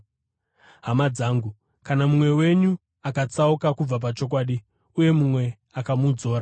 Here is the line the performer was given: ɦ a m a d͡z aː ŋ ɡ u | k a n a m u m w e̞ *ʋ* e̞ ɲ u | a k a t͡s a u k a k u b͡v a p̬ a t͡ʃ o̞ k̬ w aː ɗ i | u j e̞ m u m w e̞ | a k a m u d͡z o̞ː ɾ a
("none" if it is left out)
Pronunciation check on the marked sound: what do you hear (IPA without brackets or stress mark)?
w